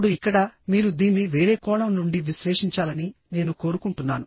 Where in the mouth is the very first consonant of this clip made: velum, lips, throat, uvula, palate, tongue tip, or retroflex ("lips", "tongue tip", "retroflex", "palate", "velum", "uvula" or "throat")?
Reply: retroflex